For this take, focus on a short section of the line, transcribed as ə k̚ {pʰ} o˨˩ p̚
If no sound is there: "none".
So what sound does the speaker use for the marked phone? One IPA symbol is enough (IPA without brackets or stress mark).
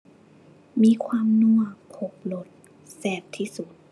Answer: pʰ